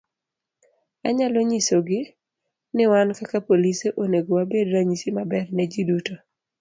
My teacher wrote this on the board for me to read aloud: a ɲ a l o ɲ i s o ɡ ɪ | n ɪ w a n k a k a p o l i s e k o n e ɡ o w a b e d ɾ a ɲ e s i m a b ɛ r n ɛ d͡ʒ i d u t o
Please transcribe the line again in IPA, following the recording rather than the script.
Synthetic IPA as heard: a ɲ a l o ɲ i s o ɡ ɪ | n ɪ w a n k a k a p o l i s e ʔ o n e ɡ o w a b e d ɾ a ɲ i s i m a b ɛ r n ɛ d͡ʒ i d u t o